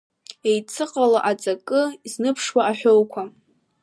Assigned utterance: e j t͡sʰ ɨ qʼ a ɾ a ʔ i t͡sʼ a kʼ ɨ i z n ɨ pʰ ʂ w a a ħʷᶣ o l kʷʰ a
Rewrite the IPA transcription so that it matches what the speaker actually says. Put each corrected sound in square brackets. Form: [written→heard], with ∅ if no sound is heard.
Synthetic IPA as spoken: e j t͡sʰ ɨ qʼ a [ɾ→l] a ʔ [i→a] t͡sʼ a kʼ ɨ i z n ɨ pʰ ʂ w a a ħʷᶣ o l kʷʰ a

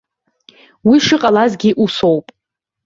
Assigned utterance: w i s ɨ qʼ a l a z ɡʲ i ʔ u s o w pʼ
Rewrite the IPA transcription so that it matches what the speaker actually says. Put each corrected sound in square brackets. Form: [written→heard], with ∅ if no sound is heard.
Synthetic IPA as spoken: w i [s→ʂ] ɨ qʼ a l a z ɡʲ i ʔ u s o w pʼ

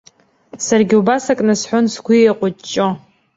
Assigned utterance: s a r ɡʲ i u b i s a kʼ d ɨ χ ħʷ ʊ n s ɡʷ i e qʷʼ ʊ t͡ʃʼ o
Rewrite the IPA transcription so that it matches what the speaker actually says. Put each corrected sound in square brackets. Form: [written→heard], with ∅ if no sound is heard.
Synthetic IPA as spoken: s a r ɡʲ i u b [i→a] s a kʼ [d→n] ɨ [χ→s] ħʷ ʊ n s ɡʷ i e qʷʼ ʊ t͡ʃʼ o

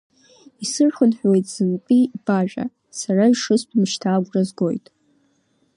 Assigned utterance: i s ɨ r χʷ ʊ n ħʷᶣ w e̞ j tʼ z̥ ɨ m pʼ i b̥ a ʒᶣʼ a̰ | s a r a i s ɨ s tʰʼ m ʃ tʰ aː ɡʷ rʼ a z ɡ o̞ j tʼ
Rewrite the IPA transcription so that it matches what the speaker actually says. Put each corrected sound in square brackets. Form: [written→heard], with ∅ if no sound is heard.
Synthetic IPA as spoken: i s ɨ r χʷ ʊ n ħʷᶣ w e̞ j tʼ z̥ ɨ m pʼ i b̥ a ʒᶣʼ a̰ | s a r a i [s→ʂ] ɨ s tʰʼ m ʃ tʰ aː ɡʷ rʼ a z ɡ o̞ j tʼ

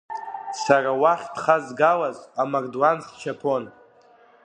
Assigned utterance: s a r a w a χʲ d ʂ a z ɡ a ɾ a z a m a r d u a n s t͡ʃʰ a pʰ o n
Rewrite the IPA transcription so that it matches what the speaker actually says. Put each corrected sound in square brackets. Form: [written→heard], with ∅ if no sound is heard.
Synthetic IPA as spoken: s a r a w a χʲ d [ʂ→χ] a z ɡ a [ɾ→l] a z a m a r d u a n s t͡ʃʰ a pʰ o n

